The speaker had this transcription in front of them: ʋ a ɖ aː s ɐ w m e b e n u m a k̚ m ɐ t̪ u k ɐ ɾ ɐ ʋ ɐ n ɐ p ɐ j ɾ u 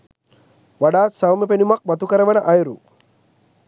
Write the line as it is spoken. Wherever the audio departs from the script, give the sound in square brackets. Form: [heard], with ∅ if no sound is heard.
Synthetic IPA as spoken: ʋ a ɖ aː s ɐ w m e [p] e n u m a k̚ m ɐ t̪ u k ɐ ɾ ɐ ʋ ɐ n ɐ [ʔ] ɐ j ɾ u